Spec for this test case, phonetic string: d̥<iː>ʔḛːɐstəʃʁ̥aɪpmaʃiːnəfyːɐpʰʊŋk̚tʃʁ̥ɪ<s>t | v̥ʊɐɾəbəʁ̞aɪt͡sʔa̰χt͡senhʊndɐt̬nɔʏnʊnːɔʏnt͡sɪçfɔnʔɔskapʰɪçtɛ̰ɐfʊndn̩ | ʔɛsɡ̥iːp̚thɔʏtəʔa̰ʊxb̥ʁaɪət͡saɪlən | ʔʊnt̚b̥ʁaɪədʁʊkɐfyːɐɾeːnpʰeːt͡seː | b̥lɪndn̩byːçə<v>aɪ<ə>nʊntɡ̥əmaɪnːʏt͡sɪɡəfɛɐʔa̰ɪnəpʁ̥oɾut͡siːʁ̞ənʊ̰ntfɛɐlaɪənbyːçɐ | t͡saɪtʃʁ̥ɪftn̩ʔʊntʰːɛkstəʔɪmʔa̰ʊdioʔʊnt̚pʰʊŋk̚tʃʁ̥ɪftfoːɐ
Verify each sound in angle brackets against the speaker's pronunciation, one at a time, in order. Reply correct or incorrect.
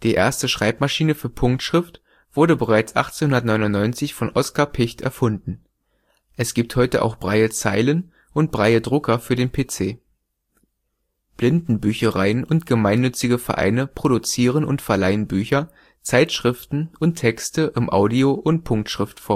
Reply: correct, incorrect, incorrect, correct

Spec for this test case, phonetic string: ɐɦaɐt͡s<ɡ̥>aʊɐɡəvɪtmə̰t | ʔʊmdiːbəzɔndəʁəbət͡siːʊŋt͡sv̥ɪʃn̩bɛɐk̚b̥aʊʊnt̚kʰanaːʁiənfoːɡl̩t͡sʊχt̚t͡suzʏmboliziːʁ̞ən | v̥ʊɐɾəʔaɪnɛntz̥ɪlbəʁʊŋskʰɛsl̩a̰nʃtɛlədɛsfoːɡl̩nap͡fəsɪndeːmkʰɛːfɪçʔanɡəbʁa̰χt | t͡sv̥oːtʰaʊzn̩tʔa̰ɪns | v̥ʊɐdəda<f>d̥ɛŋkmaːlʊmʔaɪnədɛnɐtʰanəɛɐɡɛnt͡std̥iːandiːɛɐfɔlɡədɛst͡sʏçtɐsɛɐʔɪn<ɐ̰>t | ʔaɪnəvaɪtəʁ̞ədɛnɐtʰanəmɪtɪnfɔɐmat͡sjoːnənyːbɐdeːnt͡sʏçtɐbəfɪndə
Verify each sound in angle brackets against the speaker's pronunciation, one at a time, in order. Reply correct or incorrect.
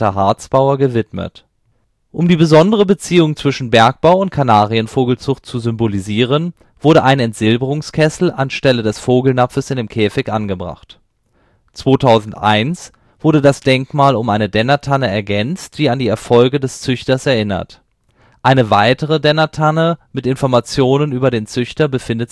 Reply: incorrect, incorrect, correct

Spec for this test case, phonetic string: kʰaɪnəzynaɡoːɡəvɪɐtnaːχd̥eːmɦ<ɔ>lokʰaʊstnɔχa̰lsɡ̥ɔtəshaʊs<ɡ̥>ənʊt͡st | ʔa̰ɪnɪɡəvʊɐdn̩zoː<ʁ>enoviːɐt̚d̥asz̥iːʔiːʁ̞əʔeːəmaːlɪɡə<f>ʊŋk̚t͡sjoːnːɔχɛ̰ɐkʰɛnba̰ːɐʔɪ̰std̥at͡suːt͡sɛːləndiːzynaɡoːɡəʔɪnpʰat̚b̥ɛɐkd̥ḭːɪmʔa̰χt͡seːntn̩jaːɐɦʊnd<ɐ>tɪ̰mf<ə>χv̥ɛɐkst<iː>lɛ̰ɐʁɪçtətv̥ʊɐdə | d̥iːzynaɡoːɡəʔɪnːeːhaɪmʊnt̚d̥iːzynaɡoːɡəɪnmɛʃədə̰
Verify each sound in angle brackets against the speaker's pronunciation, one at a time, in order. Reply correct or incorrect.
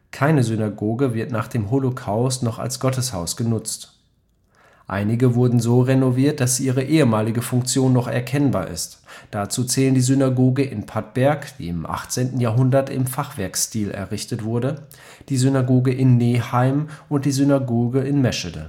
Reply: incorrect, correct, correct, correct, correct, incorrect, correct

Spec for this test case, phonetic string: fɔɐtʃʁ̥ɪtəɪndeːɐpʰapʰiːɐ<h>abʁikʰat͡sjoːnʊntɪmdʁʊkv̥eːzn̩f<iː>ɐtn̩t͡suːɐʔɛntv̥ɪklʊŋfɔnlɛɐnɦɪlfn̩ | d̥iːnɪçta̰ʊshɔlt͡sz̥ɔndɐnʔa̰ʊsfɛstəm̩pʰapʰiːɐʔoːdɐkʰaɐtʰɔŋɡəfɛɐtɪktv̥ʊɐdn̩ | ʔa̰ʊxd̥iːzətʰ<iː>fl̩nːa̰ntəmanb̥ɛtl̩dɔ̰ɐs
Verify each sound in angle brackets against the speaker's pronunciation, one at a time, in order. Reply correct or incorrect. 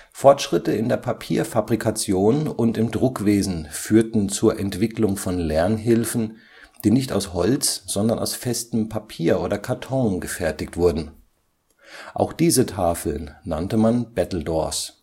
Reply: incorrect, incorrect, incorrect

